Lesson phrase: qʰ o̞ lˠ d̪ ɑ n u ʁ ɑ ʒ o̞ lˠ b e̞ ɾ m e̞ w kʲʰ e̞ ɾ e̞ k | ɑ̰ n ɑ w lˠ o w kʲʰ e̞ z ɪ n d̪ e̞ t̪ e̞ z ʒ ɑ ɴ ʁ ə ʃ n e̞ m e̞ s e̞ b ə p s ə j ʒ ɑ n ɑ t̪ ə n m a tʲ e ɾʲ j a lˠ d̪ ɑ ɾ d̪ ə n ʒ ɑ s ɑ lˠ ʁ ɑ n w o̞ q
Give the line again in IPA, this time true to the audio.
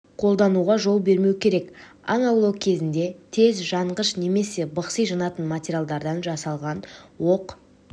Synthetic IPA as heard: qʰ o̞ lˠ d̪ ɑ n u ʁ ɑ ʒ o̞ lˠ b e̞ ɾ m e̞ w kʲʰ e̞ ɾ e̞ k | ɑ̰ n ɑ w lˠ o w kʲʰ e̞ z ɪ n d̪ e̞ t̪ʰ e̞ z ʒ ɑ ɴ ʁ ə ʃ n e̞ m e̞ s e̞ b ə q s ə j ʒ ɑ n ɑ t̪ ə n m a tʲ e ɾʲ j a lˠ d̪ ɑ ɾ d̪ ɑ n ʒ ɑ s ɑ lˠ ʁ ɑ n w o̞ q